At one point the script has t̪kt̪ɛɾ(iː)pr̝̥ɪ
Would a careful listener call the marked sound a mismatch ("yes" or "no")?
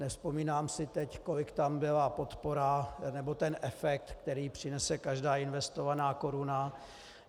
no